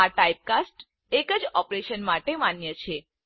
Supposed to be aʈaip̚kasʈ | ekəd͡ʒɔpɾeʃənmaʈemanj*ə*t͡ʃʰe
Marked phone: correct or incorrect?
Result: correct